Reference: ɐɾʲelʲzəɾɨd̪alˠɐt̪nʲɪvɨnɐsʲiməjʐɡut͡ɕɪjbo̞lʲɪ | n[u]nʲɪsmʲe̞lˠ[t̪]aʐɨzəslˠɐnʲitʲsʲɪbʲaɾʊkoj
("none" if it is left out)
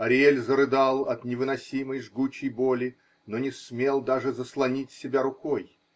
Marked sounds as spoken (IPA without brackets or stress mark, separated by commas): o, d̪